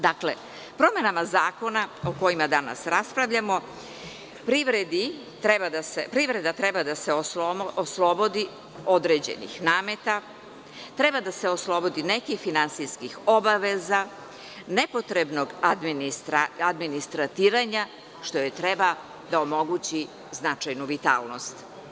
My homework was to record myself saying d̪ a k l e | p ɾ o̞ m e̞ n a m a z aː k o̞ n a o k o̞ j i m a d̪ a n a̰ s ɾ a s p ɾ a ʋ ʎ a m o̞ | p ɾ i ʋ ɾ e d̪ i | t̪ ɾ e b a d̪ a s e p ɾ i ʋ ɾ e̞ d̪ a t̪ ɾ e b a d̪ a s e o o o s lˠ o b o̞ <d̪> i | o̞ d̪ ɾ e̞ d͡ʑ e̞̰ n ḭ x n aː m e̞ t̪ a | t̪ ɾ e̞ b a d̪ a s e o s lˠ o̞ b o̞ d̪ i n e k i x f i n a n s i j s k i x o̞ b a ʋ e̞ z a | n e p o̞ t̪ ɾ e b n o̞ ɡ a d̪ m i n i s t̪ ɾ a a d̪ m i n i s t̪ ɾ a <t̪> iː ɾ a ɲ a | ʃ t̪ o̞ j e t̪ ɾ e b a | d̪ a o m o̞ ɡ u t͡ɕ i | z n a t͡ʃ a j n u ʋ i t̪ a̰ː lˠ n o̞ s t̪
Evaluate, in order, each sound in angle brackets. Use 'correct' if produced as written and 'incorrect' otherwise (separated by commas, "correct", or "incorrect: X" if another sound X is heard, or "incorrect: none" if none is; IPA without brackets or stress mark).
correct, correct